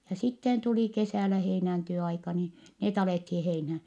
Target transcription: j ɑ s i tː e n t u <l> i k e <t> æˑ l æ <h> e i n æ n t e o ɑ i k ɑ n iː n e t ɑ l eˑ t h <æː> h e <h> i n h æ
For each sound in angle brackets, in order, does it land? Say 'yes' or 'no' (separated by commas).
yes, no, yes, no, no